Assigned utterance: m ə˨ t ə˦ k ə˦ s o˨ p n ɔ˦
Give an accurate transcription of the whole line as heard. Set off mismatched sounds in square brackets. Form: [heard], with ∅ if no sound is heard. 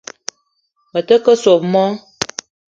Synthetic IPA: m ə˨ t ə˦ k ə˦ s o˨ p [m] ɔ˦